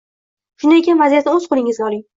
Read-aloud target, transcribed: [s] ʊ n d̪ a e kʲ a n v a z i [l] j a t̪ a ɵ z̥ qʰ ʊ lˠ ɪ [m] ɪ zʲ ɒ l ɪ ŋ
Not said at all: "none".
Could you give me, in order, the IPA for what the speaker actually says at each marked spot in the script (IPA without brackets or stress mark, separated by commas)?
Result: ʃ, none, ŋ